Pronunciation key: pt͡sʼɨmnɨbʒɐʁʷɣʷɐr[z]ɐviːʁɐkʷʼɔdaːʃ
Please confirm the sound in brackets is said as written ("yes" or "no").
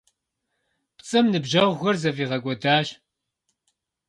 yes